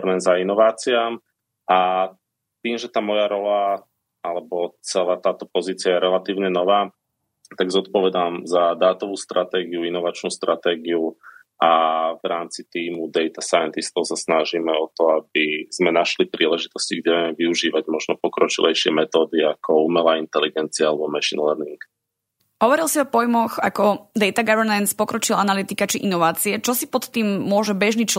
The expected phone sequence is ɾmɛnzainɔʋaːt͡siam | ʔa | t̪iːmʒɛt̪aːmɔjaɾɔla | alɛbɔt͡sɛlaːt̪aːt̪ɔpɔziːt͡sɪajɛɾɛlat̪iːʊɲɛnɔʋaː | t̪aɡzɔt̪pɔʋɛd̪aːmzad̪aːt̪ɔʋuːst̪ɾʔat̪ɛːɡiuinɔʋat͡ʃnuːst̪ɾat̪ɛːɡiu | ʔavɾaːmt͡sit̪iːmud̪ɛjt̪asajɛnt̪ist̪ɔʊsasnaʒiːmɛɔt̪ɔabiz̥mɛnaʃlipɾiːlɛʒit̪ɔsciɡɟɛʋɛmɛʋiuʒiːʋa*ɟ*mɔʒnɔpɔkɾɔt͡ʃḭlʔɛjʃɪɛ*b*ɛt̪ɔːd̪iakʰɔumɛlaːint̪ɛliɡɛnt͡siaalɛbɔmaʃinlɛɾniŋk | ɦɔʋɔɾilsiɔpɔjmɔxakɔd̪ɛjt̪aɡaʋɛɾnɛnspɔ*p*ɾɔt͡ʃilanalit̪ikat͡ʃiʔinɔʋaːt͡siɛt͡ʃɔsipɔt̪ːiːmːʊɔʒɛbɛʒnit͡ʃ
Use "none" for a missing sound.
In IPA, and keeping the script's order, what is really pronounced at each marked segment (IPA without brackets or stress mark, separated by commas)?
ɟ, m, k